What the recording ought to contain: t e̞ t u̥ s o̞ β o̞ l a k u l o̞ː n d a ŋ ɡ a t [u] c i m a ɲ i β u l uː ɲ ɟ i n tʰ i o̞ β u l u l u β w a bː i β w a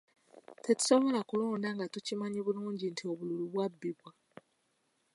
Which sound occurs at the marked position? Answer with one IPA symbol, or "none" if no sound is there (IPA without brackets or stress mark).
u